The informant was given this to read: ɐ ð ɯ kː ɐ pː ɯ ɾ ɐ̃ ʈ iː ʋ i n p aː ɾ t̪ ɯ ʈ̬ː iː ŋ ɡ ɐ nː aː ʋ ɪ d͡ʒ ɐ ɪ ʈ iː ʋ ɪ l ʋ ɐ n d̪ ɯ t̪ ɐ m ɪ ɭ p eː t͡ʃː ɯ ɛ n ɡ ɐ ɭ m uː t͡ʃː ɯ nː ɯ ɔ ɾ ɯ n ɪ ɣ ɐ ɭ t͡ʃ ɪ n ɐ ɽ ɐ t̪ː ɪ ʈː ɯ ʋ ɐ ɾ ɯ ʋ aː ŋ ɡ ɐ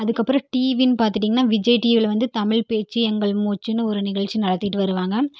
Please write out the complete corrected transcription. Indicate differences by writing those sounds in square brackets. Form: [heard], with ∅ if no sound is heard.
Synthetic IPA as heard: ɐ ð ɯ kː ɐ pː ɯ ɾ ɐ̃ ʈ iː ʋ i n p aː ɾ t̪ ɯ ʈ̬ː iː ŋ ɡ ɐ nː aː ʋ ɪ d͡ʒ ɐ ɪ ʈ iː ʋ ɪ l ʋ ɐ n d̪ ɯ t̪ ɐ m ɪ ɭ p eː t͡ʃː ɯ ɛ [ŋ] ɡ ɐ ɭ m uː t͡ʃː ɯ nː ɯ ɔ ɾ ɯ n ɪ ɣ ɐ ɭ t͡ʃ [i] n ɐ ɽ ɐ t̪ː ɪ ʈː ɯ ʋ ɐ ɾ ɯ ʋ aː ŋ ɡ ɐ